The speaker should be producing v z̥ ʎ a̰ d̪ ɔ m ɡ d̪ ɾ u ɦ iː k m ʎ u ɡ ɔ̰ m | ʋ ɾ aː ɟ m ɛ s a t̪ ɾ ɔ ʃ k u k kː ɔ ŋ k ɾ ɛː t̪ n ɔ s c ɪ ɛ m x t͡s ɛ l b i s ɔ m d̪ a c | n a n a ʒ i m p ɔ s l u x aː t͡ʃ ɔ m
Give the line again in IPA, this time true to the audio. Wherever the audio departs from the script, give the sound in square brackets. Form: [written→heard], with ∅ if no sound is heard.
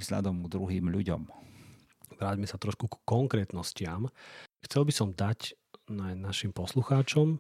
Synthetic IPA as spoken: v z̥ ʎ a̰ d̪ ɔ m ɡ d̪ ɾ u ɦ iː [k→∅] m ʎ u [ɡ→ɟ] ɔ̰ m | ʋ ɾ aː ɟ m ɛ s a t̪ ɾ ɔ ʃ k u k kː ɔ ŋ k ɾ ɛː t̪ n ɔ s c ɪ [ɛ→a] m x t͡s ɛ l b i s ɔ m d̪ a c | n a n a [ʒ→ʃ] i m p ɔ s l u x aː t͡ʃ ɔ m